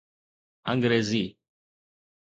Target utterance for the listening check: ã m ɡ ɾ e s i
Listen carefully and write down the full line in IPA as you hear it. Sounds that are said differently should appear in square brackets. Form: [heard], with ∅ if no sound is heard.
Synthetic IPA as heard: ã [ŋ] ɡ ɾ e [z] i